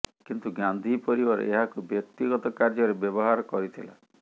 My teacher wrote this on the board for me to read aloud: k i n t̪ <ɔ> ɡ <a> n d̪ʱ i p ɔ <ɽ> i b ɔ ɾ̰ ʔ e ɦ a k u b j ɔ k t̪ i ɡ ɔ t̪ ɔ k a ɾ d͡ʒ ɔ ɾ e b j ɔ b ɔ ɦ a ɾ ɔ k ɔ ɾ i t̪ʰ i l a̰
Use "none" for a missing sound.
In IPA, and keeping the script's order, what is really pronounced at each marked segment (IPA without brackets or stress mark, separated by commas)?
u, a, ɾ